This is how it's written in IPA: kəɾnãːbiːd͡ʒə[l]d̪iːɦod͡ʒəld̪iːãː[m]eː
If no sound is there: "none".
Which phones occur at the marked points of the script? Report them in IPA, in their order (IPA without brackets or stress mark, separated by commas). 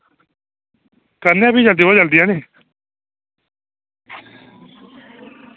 l, n